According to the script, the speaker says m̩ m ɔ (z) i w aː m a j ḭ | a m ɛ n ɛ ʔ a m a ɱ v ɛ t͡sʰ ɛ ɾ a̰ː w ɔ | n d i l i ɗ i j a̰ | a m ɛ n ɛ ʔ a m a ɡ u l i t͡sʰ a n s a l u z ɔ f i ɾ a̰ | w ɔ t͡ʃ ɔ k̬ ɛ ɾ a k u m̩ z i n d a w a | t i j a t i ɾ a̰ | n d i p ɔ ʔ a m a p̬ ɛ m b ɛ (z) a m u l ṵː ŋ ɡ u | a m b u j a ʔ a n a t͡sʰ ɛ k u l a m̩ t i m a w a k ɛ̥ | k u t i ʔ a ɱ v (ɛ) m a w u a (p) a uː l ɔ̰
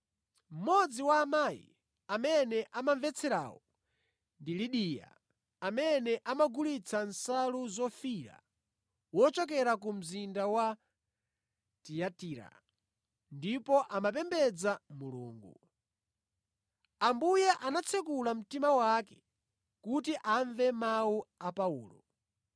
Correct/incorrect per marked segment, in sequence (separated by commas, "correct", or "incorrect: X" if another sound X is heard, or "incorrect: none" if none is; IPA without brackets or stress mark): incorrect: d͡z, incorrect: d͡z, correct, correct